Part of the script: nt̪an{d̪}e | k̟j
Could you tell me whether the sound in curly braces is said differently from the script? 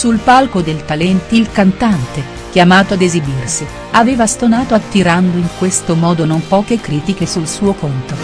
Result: yes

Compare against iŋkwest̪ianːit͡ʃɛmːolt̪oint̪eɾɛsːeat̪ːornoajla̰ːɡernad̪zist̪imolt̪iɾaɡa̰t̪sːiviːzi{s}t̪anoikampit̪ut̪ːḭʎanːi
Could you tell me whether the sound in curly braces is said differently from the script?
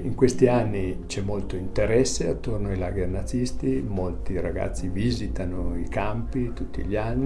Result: yes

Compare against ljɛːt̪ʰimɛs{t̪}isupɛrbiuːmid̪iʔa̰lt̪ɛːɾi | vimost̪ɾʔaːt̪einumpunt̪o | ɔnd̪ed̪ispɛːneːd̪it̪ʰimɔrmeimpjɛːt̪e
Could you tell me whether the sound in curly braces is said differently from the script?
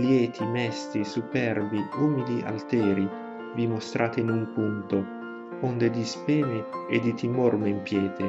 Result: no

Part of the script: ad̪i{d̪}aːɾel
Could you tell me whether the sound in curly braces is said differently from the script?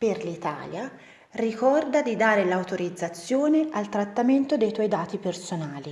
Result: no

